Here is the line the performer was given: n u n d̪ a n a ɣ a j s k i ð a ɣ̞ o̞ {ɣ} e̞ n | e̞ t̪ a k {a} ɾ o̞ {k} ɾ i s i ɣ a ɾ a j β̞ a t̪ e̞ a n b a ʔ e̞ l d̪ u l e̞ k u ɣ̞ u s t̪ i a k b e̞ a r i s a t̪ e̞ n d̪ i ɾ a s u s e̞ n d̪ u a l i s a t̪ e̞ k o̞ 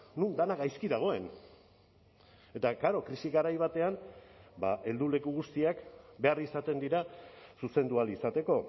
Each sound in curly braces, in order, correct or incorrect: incorrect: none, correct, correct

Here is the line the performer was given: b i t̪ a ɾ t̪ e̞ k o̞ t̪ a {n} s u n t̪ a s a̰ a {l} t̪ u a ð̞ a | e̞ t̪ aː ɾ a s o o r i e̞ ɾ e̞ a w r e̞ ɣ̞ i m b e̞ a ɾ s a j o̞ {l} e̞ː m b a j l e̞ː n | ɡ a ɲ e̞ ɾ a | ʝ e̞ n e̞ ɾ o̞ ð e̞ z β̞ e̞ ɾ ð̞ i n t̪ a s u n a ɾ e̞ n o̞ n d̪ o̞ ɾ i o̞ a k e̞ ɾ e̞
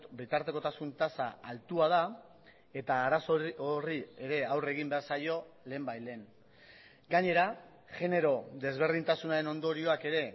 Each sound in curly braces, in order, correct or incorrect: incorrect: none, correct, correct

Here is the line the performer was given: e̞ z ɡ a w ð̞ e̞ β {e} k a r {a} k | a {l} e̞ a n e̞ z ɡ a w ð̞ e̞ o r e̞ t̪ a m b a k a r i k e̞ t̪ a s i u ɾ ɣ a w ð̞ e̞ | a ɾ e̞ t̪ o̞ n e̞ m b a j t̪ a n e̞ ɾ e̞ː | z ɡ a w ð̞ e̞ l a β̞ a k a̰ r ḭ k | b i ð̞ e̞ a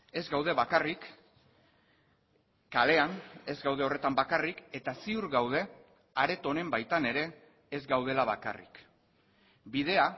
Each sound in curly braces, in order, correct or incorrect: incorrect: a, incorrect: i, correct

